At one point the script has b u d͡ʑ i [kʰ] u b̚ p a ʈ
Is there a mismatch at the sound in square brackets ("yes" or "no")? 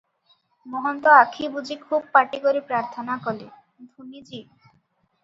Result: no